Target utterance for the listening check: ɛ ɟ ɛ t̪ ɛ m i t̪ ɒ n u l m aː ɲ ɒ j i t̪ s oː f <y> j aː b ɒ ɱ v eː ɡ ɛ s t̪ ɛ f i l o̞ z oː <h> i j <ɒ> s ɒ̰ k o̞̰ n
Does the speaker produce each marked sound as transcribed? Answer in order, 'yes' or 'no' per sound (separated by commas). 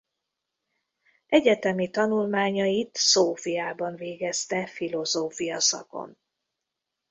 no, no, yes